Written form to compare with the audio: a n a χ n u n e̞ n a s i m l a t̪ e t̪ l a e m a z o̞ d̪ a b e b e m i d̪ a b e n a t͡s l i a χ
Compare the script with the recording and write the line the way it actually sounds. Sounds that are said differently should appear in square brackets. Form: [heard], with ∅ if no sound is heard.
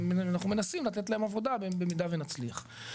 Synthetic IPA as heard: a n a χ n u [m] e̞ n a s i m l a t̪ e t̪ l a e m a [v] o̞ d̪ a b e b e m i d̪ a [v] e n a t͡s l i a χ